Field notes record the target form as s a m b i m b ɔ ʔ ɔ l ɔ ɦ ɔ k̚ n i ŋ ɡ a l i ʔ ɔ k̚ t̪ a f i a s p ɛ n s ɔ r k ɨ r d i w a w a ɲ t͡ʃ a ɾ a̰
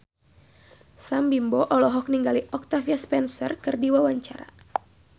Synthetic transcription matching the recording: s a m b i m b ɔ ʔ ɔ l ɔ ɦ ɔ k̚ n i ŋ ɡ a l i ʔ ɔ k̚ t̪ a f i a s p ɛ n s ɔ r k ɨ r d i w a w a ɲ t͡ʃ a ɾ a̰